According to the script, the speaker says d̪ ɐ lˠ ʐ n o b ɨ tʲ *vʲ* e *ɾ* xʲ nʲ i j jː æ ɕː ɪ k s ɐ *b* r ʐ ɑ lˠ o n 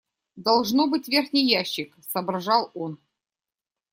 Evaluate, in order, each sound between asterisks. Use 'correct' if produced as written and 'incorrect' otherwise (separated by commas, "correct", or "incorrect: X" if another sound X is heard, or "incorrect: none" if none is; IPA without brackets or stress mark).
correct, incorrect: r, correct